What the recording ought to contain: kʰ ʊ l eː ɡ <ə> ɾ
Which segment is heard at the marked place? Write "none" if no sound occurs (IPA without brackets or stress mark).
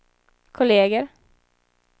ə